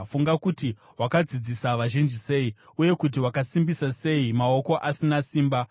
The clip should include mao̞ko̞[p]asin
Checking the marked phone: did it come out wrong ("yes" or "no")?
yes